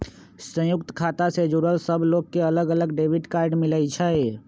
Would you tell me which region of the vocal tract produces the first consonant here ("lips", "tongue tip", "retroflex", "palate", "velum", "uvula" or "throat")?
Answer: tongue tip